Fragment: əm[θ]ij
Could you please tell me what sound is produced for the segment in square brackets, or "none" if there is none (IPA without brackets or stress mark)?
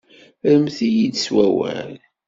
θ